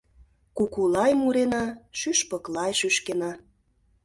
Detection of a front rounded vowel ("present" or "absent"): present